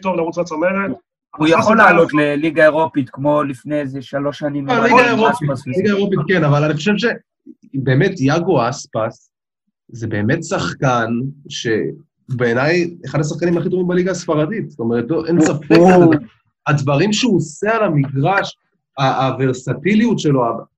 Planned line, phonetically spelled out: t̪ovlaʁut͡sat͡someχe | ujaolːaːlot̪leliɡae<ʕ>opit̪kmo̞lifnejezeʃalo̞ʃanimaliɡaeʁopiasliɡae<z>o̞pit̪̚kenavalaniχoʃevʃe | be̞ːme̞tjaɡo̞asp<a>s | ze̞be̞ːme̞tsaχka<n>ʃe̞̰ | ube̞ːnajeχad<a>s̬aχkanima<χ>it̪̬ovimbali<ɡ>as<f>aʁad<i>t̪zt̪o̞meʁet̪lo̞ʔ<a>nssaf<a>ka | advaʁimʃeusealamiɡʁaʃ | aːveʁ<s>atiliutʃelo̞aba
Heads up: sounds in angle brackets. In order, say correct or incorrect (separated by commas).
incorrect, incorrect, correct, correct, correct, correct, correct, correct, correct, incorrect, incorrect, correct